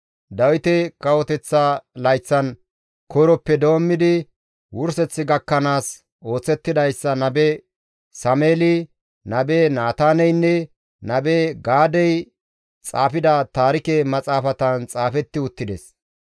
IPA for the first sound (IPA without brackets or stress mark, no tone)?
d̪